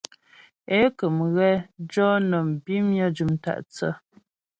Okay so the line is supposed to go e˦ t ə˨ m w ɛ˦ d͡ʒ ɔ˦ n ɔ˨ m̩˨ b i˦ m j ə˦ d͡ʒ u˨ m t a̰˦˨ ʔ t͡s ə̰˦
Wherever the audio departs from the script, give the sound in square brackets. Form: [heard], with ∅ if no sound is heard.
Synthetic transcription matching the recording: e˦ [k] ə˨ m [ɣ] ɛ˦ d͡ʒ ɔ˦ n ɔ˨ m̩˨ b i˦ m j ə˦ d͡ʒ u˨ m t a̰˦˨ ʔ t͡s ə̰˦

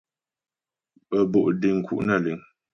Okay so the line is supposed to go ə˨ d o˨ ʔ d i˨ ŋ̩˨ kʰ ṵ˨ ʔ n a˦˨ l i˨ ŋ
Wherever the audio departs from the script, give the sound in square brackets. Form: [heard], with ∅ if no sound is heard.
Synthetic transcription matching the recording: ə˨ [b] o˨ ʔ d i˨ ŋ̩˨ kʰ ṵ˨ ʔ n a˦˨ l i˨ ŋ

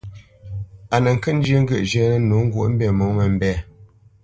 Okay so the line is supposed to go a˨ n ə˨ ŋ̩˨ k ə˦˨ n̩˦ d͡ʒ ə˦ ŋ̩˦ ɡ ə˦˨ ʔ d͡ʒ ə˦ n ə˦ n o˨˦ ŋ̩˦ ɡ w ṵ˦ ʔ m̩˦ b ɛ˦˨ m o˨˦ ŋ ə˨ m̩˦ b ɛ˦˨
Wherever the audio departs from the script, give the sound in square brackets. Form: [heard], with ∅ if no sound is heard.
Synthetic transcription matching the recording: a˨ n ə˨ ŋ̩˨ k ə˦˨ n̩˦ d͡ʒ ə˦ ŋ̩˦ ɡ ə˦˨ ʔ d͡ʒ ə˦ n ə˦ n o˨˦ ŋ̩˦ ɡ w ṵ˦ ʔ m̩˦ b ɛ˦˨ m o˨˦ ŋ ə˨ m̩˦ b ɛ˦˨

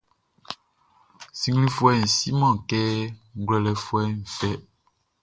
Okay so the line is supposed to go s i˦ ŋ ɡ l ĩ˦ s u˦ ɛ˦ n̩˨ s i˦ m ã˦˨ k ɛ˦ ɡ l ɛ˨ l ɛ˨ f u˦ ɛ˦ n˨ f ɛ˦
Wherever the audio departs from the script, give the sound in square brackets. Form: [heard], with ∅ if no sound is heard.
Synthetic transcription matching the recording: s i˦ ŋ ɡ l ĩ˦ [f] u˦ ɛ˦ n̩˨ s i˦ m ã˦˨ k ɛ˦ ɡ l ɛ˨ l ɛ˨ f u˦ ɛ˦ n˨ f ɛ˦

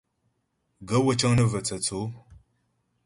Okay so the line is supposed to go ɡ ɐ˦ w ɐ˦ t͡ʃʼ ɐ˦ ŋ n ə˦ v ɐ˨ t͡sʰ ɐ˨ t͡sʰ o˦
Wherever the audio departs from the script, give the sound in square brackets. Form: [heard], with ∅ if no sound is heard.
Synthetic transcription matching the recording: ɡ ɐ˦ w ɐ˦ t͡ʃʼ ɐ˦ ŋ n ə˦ v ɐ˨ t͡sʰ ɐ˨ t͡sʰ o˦

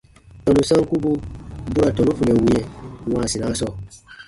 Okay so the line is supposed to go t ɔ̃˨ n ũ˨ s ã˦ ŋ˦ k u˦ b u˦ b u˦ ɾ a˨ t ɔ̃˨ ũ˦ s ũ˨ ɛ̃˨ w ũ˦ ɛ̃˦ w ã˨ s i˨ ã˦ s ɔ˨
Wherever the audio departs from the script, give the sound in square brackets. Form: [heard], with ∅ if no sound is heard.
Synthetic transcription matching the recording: t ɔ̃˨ n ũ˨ s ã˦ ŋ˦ k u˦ b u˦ b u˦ ɾ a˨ t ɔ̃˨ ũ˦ [f] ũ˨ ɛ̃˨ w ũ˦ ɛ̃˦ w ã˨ s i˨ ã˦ s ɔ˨

